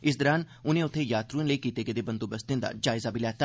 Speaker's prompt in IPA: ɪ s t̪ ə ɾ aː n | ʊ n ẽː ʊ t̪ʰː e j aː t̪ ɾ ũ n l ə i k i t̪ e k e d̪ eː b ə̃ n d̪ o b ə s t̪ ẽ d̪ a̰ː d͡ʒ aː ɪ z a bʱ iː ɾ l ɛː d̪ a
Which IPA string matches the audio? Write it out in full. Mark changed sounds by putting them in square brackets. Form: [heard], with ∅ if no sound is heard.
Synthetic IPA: ɪ s [d̪] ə ɾ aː n | ʊ n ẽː ʊ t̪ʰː e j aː t̪ ɾ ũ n l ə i k [iː] t̪ e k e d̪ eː b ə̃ n d̪ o b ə s t̪ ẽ d̪ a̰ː d͡ʒ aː ɪ z a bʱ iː [∅] l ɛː [t̪] a